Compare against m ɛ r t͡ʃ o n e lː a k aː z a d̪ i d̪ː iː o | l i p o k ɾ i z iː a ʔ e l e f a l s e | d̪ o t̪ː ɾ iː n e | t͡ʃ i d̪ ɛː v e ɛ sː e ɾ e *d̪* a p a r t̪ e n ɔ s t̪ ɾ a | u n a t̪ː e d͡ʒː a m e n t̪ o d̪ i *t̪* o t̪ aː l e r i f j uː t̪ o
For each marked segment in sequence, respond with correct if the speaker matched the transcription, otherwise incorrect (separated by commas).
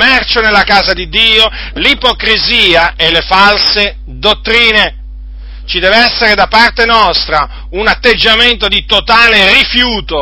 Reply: correct, correct